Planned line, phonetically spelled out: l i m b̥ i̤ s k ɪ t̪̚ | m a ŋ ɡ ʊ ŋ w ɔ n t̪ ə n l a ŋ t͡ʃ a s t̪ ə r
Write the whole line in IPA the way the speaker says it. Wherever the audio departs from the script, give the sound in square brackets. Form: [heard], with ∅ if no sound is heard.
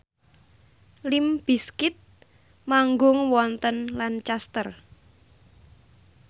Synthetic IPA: l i m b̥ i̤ s k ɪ t̪̚ | m a ŋ ɡ ʊ ŋ w ɔ n t̪ ə n l a [n] t͡ʃ a s t̪ ə r